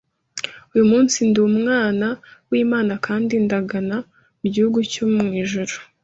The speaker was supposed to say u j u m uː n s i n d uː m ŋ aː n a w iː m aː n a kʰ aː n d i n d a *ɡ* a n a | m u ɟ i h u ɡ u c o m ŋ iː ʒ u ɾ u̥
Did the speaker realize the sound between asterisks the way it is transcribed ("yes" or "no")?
yes